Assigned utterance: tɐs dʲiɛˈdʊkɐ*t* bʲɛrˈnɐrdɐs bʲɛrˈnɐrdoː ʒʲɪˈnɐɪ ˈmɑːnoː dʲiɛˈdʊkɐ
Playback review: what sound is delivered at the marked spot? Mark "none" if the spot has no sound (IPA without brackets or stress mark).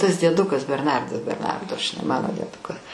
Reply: s